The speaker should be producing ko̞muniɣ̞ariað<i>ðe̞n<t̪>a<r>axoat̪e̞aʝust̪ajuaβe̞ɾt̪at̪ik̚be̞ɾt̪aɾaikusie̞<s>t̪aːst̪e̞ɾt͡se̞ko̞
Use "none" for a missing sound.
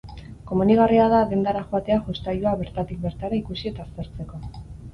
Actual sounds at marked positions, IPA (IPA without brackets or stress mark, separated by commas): a, d̪, ɾ, none